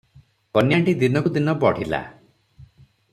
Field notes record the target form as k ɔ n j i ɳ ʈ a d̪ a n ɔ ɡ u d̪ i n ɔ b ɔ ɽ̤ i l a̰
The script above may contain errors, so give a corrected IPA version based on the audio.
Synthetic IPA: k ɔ n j a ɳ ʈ i d̪ i n ɔ k u d̪ i n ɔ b ɔ ɽ̤ i l a̰